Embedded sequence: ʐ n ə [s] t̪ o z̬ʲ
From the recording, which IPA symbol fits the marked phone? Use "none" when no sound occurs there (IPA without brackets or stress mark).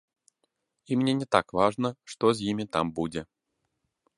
ʂ